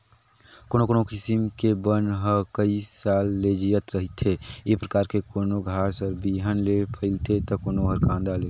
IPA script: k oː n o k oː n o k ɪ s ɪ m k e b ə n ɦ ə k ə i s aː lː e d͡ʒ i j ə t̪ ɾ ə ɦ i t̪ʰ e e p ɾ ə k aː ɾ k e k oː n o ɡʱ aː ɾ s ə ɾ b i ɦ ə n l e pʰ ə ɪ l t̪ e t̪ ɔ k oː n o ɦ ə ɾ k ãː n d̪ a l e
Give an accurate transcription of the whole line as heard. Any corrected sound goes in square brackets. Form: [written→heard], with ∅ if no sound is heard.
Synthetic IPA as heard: k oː n o k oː n o k ɪ s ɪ m k e b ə n ɦ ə k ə i s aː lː e d͡ʒ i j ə t̪ ɾ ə ɦ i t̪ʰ e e p ɾ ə k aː ɾ k e k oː n o ɡʱ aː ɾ s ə ɾ b i ɦ ə n l e pʰ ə ɪ l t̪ e t̪ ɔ k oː n o ɦ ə ɾ k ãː n d̪ a l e